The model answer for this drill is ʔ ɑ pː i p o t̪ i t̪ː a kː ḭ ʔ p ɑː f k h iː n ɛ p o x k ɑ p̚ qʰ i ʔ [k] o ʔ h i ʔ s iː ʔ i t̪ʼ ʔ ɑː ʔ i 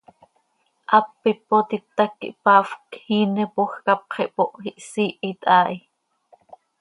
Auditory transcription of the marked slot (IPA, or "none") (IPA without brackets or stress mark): p